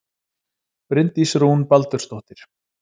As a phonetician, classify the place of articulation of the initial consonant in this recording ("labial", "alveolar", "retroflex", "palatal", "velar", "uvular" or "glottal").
labial